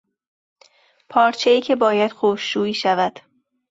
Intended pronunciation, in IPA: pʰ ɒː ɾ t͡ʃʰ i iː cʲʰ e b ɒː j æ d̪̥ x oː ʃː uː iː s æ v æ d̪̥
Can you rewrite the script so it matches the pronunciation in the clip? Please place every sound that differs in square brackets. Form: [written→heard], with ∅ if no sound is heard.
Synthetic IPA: pʰ ɒː ɾ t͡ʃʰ [i→e] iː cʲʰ e b ɒː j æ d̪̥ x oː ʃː uː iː [s→ʃ] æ v æ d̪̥